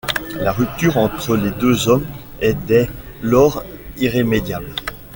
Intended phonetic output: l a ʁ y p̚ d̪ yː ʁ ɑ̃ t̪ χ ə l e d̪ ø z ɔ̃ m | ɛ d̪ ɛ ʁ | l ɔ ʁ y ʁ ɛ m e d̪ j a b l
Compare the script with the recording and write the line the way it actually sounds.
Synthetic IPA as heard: l a ʁ y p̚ t̪ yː ʁ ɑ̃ t̪ χ ə l e d̪ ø z ɔ m | ɛ d̪ ɛ | l ɔ ʁ i ʁ e m e d̪ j a b l